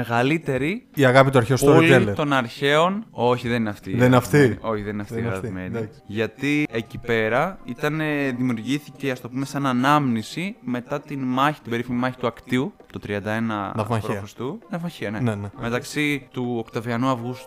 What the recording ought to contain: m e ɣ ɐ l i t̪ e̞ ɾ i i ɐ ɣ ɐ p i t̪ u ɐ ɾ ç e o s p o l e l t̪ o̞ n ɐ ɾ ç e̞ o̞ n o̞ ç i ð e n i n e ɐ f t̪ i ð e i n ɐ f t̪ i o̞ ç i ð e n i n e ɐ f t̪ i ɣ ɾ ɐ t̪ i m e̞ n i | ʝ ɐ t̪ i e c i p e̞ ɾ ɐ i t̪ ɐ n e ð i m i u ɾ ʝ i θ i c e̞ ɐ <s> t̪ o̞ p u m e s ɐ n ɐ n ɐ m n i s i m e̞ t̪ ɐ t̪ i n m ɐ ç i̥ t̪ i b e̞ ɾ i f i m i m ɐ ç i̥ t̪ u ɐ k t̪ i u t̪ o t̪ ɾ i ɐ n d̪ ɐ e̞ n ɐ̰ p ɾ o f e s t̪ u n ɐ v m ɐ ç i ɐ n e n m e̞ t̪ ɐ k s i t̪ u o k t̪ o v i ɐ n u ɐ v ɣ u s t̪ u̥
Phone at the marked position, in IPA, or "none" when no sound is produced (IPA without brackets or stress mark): s